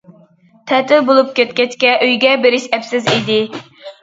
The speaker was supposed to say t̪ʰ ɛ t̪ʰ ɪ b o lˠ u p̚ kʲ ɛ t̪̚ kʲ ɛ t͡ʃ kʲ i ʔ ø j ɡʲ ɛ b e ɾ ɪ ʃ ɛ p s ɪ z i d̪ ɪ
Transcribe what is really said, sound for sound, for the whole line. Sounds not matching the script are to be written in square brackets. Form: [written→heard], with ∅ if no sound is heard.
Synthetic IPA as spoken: t̪ʰ ɛ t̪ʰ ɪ b o lˠ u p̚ kʲ ɛ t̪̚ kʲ ɛ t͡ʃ kʲ [i→ɛ] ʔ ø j ɡʲ ɛ b e ɾ ɪ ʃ ɛ p s ɪ z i d̪ ɪ

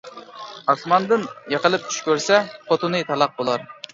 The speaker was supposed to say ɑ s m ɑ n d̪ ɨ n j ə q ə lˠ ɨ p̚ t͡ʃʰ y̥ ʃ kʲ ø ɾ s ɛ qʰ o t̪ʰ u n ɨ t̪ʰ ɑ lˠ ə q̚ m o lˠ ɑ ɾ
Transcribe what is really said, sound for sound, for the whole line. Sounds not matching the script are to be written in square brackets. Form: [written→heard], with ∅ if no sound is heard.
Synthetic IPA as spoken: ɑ s m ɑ n d̪ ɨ n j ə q ə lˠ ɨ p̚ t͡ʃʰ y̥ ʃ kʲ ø ɾ s ɛ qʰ o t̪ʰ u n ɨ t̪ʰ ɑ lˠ [ə→ɑ] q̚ [m→b] o lˠ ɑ ɾ

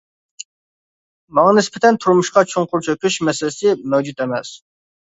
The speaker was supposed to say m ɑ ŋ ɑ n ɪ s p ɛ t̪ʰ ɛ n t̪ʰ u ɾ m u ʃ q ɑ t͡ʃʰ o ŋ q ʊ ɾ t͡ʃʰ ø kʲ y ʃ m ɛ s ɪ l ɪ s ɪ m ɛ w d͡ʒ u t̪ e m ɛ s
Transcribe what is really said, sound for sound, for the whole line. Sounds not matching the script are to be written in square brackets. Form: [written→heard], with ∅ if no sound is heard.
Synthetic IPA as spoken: m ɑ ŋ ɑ n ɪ s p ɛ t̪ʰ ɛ n t̪ʰ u ɾ m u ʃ q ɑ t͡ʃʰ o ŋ q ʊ ɾ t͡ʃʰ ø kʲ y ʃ m ɛ s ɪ l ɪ s ɪ m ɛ w d͡ʒ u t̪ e m ɛ s

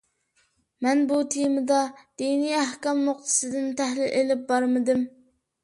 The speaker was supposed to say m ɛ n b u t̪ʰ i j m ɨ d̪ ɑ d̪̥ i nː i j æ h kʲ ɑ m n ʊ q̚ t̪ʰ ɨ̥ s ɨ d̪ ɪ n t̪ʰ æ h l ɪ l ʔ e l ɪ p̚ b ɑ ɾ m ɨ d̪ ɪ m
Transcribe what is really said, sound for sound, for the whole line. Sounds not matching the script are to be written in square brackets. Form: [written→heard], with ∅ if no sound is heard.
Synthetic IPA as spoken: m ɛ n b u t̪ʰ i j m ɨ d̪ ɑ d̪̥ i [nː→n] i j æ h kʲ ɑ m n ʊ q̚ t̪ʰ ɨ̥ s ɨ d̪ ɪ n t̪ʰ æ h l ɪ l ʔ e l ɪ p̚ b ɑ ɾ m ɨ d̪ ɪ m

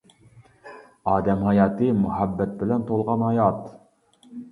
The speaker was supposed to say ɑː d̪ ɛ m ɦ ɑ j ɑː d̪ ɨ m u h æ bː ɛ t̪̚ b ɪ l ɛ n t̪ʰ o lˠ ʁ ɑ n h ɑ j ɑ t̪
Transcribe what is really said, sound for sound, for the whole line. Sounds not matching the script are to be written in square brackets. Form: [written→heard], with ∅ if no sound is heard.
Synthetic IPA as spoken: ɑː d̪ ɛ m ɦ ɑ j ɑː [d̪→t̪] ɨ m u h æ bː ɛ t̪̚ b ɪ l ɛ n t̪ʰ o lˠ ʁ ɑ n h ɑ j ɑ t̪

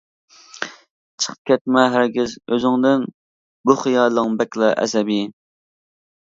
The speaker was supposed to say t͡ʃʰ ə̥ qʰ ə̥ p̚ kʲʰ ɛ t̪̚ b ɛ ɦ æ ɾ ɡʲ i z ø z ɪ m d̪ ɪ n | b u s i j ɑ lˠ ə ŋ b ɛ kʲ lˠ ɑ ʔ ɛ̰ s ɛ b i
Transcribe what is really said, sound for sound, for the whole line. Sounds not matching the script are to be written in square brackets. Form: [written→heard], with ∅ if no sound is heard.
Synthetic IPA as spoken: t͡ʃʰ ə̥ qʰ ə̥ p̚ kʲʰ ɛ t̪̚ [b→m] ɛ ɦ æ ɾ ɡʲ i z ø z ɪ [m→ŋ] d̪ ɪ n | b u [s→χ] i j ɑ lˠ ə ŋ b ɛ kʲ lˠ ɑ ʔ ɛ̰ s ɛ b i

